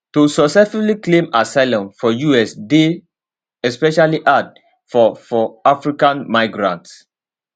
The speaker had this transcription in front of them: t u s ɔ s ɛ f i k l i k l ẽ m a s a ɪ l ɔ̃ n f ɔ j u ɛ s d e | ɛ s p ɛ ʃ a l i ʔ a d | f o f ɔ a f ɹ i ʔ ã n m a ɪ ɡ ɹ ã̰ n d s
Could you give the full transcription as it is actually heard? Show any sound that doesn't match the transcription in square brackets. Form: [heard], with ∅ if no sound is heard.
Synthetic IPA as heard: t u s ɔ s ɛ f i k l i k l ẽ m a s a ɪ l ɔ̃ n f ɔ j u ɛ s d e | ɛ s p ɛ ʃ a l i ʔ a d | f [ɔ] f ɔ a f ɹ i [k] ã n m a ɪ ɡ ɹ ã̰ n [t] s